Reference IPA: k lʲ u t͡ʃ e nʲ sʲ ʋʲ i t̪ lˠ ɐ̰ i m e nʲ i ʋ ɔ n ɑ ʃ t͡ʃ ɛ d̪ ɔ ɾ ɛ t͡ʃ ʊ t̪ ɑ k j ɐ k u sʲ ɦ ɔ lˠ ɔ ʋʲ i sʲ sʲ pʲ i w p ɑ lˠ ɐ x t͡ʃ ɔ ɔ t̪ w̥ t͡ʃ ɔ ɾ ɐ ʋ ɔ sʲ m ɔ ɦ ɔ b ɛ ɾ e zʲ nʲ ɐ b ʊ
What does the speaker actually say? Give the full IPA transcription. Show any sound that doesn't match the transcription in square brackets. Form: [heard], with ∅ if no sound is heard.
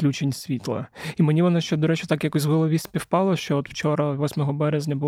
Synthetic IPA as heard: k lʲ u t͡ʃ e nʲ sʲ ʋʲ i t̪ lˠ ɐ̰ i m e nʲ i ʋ ɔ n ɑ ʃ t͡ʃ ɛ d̪ ɔ ɾ ɛ t͡ʃ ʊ t̪ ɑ k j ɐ k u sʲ ɦ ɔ lˠ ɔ ʋʲ i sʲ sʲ pʲ i w p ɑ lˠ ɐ [ʃ] t͡ʃ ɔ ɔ t̪ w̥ t͡ʃ ɔ ɾ ɐ ʋ ɔ sʲ m ɔ ɦ ɔ b ɛ ɾ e zʲ nʲ ɐ b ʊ